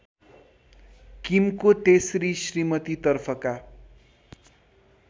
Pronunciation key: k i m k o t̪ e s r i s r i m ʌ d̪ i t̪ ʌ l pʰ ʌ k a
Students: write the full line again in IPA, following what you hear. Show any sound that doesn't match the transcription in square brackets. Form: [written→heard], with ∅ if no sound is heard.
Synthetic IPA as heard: k i m k o t̪ e s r i s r i m ʌ [d̪→t̪] i t̪ ʌ [l→r] pʰ ʌ k a